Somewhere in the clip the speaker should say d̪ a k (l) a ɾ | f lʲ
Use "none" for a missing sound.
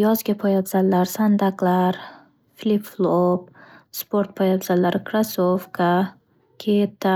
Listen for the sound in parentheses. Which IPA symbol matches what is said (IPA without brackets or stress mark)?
l